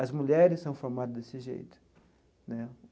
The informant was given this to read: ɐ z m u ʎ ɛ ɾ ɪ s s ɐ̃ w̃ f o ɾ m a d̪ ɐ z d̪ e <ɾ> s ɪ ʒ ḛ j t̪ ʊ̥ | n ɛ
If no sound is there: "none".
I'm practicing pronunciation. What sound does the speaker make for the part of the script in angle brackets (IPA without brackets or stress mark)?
none